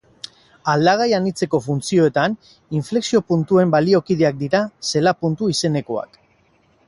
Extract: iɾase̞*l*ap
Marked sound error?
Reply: no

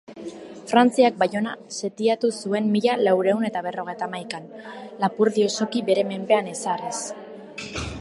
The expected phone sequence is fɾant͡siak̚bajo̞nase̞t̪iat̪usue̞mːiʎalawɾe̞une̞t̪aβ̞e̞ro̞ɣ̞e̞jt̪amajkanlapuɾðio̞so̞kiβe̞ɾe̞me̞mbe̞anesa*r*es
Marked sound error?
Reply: no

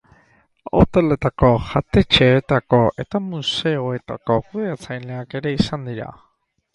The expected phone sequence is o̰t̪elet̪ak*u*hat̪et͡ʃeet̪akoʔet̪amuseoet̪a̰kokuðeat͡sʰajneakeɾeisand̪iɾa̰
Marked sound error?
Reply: yes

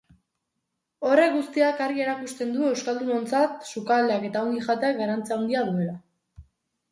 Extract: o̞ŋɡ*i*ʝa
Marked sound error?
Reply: no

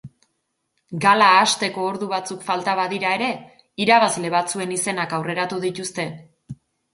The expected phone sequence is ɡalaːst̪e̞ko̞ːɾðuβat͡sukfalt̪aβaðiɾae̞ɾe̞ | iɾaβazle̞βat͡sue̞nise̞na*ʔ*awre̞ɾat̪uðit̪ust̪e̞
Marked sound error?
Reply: yes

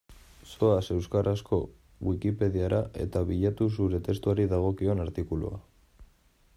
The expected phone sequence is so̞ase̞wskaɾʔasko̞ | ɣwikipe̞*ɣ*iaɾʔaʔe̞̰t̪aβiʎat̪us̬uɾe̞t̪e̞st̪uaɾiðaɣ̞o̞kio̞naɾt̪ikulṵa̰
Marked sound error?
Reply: yes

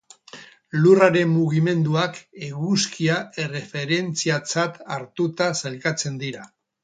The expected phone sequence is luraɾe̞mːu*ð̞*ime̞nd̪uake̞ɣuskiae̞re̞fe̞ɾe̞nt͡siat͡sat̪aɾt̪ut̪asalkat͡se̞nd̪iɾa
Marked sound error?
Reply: yes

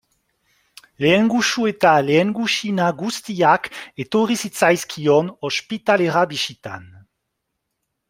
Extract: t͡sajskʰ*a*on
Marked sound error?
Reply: yes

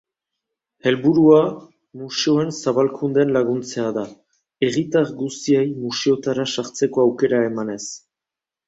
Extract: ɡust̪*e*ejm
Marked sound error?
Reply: yes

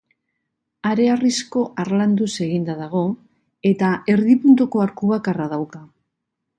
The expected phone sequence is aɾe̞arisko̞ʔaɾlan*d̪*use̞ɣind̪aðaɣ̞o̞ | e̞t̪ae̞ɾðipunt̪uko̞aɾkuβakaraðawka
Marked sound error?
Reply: no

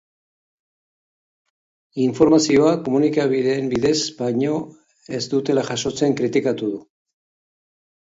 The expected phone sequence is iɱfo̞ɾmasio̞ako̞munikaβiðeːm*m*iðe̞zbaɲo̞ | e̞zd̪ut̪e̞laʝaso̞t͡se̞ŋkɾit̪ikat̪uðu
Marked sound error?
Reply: yes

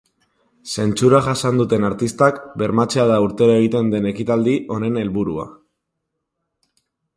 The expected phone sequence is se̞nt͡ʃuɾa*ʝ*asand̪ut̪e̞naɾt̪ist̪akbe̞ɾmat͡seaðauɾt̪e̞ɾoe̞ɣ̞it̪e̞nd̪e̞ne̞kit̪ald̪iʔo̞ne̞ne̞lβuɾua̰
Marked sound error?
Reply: no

